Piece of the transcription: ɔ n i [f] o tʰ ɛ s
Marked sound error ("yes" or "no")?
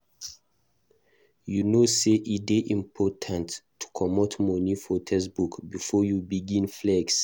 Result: no